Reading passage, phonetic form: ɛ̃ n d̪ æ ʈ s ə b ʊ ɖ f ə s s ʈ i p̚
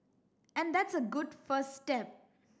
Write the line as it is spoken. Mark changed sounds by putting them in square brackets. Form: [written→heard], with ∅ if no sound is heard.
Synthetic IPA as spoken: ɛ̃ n d̪ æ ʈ s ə [b→ɡ] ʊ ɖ f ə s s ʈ [i→ɛ] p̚